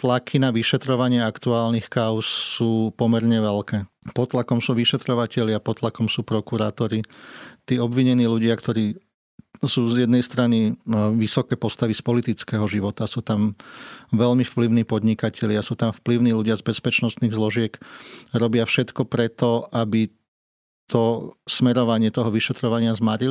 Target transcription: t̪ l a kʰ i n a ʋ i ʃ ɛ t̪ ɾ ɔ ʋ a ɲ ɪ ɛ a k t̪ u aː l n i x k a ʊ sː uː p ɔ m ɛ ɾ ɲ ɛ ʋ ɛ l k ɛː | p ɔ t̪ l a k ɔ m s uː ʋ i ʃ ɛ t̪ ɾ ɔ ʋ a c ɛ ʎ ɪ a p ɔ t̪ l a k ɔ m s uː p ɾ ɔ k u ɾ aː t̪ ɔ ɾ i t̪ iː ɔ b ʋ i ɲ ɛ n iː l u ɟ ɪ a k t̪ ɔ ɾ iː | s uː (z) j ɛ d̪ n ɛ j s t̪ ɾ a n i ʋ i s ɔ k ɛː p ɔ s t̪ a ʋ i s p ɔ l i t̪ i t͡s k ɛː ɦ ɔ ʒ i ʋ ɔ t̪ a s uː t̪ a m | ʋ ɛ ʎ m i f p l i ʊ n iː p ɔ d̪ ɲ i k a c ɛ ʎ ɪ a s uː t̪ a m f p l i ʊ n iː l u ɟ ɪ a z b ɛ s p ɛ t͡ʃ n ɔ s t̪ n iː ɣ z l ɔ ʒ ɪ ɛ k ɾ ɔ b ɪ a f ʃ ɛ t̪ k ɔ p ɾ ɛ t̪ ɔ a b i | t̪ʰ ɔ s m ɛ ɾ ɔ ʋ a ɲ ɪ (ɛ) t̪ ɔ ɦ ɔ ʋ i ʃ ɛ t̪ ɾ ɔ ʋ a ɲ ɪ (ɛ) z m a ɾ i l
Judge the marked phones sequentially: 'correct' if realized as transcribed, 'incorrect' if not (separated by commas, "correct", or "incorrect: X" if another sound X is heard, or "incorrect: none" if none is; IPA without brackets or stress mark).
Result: correct, correct, incorrect: a